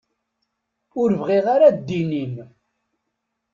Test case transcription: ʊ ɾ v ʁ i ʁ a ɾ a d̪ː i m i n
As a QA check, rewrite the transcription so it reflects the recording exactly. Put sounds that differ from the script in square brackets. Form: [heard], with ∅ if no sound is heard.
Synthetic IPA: ʊ ɾ v ʁ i ʁ a ɾ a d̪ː i [n] i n